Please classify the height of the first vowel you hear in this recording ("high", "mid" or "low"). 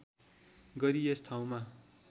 mid